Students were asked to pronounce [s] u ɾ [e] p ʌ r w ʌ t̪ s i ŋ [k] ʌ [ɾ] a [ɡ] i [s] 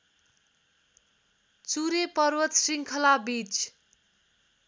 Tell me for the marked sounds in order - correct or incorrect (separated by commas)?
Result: incorrect, correct, incorrect, incorrect, incorrect, incorrect